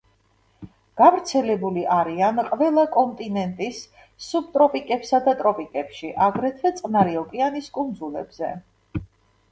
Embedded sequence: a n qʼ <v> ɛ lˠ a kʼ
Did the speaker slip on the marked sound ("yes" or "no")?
no